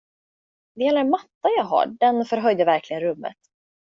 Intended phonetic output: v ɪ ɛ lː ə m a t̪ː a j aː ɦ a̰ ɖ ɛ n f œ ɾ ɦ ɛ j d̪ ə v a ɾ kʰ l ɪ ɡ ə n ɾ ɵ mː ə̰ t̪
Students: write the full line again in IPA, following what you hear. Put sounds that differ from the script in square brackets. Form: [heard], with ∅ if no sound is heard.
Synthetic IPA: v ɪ ɛ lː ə m a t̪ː a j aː ɦ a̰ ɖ ɛ n f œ ɾ ɦ [œ] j d̪ ə v [æ] ɾ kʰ l ɪ ɡ ə n ɾ ɵ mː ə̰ t̪